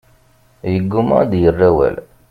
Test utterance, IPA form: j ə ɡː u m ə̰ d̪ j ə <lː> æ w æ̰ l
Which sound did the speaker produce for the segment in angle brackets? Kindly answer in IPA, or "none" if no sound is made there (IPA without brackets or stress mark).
rː